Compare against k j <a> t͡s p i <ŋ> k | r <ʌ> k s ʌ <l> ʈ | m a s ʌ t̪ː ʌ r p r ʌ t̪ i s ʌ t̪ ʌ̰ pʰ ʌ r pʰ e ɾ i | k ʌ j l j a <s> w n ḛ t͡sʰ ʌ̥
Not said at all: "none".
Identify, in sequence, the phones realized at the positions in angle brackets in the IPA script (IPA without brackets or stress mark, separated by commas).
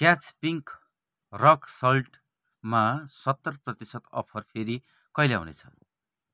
a, ŋ, ʌ, l, none